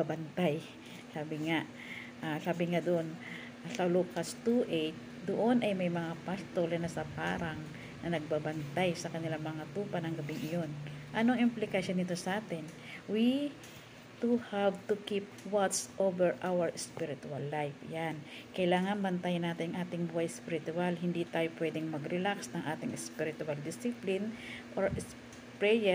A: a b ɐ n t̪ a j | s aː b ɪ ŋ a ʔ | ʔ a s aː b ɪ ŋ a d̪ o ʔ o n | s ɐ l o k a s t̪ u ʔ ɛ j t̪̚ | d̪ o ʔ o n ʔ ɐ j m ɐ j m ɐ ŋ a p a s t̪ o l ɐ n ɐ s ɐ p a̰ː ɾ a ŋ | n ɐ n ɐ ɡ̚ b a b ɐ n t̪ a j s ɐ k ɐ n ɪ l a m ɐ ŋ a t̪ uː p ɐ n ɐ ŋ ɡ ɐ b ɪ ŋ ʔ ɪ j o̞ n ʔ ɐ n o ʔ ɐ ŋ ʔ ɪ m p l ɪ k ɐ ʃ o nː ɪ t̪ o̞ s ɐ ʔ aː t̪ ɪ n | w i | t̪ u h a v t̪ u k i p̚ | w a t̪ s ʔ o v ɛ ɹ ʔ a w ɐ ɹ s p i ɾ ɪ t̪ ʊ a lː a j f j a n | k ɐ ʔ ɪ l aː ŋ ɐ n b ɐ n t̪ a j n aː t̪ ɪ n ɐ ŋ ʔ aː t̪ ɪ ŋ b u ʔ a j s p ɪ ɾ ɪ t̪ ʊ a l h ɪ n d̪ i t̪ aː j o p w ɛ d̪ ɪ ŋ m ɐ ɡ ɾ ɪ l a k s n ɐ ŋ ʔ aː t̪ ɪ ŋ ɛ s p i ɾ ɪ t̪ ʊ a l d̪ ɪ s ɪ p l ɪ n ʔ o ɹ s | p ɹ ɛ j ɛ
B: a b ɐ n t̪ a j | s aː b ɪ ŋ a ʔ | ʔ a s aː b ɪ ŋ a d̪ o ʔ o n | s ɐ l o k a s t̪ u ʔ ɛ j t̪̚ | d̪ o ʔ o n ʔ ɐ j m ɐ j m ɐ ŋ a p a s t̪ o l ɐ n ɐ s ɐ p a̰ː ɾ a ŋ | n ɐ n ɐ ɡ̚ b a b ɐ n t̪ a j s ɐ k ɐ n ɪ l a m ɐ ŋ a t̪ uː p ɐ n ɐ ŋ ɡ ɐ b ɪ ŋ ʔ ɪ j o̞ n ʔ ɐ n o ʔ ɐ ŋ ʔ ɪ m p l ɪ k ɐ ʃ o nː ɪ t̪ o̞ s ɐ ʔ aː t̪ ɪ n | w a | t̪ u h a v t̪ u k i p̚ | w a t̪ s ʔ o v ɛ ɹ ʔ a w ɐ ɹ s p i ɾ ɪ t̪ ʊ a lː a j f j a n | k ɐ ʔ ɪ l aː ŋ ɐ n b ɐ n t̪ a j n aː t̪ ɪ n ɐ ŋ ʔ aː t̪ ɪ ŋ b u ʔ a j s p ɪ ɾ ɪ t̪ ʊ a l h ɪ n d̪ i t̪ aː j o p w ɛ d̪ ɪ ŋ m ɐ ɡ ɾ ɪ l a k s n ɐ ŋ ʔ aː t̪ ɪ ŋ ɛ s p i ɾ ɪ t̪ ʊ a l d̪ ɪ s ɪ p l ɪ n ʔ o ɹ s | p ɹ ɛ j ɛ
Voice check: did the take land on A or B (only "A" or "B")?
A